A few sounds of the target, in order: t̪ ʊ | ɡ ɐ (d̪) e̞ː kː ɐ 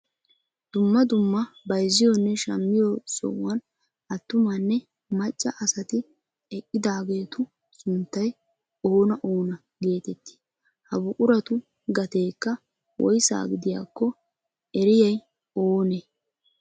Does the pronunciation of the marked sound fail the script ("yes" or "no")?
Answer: yes